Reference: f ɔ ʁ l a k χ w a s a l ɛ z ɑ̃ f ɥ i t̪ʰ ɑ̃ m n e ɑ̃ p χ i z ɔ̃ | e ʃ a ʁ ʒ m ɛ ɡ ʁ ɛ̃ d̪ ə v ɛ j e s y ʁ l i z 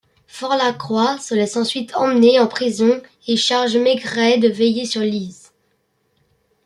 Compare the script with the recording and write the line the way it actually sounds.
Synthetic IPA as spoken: f ɔ ʁ l a k χ w a s ə l ɛ s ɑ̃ s ɥ i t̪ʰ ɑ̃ m n e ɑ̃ p χ i z ɔ̃ | e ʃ a ʁ ʒ m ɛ ɡ ʁ ɛ d̪ ə v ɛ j e s y ʁ l i z